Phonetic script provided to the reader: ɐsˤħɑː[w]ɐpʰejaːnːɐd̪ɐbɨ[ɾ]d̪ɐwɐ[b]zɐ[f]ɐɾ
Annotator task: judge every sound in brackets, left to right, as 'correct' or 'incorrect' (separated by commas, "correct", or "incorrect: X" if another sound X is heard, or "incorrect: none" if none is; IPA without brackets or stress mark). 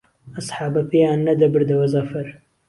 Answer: incorrect: b, correct, incorrect: none, correct